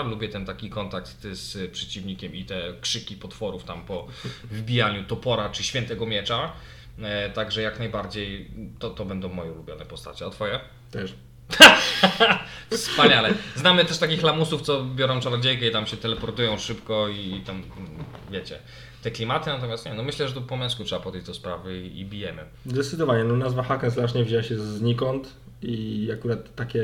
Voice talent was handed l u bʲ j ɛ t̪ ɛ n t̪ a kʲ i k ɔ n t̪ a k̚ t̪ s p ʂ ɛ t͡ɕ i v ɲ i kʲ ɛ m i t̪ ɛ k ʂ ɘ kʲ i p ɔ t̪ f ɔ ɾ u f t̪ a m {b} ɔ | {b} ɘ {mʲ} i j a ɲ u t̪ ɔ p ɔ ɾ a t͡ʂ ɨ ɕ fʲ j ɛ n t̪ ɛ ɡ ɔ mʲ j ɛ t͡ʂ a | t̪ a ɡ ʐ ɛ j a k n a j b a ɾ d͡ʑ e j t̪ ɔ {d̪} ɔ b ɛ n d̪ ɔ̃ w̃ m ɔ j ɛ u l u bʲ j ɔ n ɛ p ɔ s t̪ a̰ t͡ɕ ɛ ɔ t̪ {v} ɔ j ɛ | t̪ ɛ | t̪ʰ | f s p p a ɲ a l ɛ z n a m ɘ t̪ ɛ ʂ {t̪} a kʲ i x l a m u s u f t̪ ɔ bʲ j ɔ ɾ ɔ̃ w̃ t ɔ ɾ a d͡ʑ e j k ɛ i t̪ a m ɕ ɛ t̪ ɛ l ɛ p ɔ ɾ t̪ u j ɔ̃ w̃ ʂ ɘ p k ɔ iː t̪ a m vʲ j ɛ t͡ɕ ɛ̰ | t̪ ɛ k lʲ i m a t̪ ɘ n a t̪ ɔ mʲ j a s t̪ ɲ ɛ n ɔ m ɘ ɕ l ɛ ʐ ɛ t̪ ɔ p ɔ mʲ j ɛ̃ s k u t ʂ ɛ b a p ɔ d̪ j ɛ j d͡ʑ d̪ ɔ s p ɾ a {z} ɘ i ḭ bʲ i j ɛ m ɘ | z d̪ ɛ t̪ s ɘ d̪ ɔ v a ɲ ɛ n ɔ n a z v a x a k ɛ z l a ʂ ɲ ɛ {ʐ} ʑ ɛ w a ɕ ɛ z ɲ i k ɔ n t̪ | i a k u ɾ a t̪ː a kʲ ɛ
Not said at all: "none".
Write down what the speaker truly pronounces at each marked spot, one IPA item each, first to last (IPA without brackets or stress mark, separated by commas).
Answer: p, v, bʲ, t̪, f, t̪, v, v